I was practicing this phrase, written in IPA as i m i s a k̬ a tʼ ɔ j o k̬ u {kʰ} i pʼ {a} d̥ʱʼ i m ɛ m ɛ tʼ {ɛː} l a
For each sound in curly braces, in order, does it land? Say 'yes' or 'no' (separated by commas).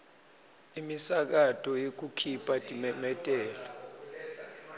yes, yes, yes